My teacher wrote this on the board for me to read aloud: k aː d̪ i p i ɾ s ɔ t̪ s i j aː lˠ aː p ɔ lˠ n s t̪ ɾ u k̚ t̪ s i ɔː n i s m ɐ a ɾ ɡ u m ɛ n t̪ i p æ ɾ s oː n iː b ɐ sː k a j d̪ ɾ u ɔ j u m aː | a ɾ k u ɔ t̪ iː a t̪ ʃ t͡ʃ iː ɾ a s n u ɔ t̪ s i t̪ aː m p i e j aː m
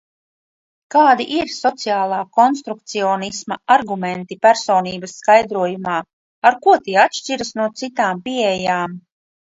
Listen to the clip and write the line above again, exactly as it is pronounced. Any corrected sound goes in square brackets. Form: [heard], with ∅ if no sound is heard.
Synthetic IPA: k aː d̪ i [ʔ] i ɾ s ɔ t̪ s i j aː lˠ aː [k] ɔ [∅] n s t̪ ɾ u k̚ t̪ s i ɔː n i s m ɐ a ɾ ɡ u m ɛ n t̪ i p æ ɾ s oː n iː b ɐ sː k a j d̪ ɾ u ɔ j u m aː | a ɾ k u ɔ t̪ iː a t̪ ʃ t͡ʃ [i] ɾ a s n u ɔ t̪ s i t̪ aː m p i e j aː m